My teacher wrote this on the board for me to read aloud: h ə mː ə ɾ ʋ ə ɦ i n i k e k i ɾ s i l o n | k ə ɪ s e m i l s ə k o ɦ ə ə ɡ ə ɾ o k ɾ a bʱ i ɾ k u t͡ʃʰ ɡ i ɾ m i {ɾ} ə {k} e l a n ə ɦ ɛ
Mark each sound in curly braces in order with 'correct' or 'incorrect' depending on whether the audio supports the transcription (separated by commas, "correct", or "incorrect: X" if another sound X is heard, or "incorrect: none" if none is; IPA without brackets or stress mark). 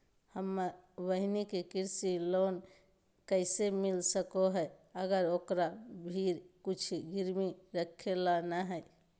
correct, incorrect: kʰ